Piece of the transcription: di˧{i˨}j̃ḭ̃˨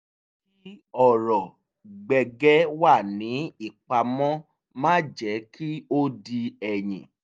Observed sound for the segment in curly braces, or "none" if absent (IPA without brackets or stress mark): ɛ˨